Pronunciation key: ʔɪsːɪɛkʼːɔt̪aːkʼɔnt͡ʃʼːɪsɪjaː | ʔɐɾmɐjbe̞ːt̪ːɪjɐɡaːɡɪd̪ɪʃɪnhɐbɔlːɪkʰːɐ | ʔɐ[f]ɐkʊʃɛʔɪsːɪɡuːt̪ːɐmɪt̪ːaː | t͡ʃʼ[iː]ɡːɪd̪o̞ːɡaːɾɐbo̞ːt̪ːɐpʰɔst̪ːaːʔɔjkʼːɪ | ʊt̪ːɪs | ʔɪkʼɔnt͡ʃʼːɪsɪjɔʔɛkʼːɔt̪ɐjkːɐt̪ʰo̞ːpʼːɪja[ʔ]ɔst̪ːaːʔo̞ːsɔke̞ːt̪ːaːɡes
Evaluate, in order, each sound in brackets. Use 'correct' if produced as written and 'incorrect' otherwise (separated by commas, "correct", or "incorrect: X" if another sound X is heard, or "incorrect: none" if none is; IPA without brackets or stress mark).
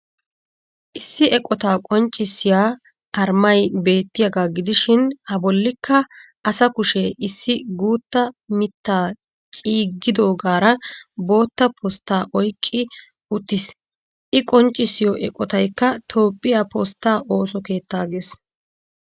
incorrect: s, correct, incorrect: p